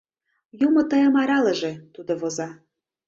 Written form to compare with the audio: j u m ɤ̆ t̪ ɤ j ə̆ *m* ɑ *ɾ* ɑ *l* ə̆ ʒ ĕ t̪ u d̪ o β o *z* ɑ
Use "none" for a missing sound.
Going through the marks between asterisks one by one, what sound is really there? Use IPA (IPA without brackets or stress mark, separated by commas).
m, ɾ, l, z